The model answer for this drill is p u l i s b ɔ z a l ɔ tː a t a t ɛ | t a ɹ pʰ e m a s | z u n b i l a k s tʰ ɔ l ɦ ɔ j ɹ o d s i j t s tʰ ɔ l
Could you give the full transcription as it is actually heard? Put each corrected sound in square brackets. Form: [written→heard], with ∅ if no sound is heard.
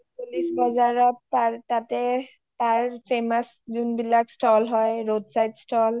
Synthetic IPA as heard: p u l i s b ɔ z a [l→ɹ] ɔ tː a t a t ɛ | t a ɹ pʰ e m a s | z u n b i l a k s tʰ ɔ l ɦ ɔ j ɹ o d s [i→a] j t s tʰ ɔ l